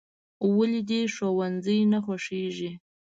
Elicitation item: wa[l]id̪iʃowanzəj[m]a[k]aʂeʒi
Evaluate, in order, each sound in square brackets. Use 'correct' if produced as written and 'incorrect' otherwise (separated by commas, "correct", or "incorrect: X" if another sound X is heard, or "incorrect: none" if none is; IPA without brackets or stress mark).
correct, incorrect: n, incorrect: x